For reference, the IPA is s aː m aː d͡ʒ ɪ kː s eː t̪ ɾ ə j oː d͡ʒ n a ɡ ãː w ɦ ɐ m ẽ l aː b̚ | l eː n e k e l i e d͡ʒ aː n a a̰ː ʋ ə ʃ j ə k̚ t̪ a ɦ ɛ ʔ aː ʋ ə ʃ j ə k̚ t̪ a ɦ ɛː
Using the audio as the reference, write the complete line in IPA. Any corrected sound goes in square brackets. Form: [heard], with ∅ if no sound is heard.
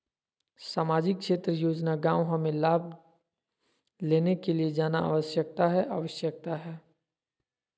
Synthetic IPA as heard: s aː m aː d͡ʒ ɪ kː [ʃ] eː t̪ ɾ ə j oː d͡ʒ n a ɡ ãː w ɦ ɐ m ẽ l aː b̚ | l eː n e k e l i e d͡ʒ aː n a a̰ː ʋ ə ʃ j ə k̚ t̪ a ɦ ɛ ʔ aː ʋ ə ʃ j ə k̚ t̪ a ɦ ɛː